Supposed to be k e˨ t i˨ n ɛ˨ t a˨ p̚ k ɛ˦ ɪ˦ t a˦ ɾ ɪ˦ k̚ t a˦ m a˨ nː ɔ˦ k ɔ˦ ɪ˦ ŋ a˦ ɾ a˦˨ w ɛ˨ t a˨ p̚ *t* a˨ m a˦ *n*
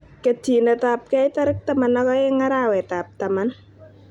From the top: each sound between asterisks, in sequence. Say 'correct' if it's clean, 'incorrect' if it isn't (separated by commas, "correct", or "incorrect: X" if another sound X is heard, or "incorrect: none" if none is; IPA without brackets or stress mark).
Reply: correct, correct